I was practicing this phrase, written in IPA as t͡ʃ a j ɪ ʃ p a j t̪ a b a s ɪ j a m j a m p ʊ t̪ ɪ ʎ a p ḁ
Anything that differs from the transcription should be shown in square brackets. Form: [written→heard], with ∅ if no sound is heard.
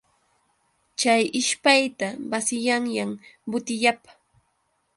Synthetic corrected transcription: t͡ʃ a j ɪ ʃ p a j t̪ a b a s ɪ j a [m→ŋ] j a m [p→b] ʊ t̪ ɪ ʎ a p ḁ